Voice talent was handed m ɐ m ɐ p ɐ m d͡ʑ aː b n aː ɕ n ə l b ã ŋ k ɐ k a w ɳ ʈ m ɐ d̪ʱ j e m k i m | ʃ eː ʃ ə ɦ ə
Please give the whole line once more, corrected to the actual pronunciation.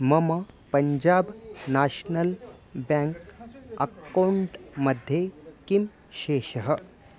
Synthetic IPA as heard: m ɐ m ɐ p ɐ ɲ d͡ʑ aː b n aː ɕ n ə l b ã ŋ k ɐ k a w ɳ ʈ m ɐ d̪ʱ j e k i m | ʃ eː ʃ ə ɦ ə